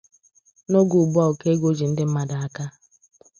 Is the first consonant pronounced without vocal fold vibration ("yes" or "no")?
no